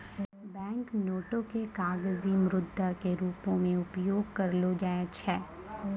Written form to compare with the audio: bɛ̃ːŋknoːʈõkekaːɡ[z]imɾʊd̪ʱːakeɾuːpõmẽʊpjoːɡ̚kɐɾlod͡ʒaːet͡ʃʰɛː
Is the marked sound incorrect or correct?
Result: correct